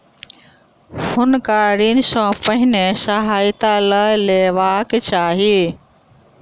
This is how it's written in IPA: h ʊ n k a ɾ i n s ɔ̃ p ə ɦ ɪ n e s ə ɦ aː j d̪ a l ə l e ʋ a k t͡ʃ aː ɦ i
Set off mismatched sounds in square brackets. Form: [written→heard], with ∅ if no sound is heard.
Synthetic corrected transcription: h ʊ n k a ɾ i n s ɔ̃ p ə ɦ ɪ n e s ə ɦ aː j [d̪→t̪] a l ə l e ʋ a k t͡ʃ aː ɦ i